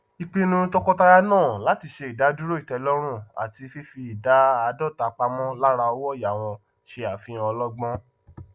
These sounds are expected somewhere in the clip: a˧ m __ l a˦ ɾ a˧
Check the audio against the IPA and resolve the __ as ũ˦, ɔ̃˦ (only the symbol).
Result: ɔ̃˦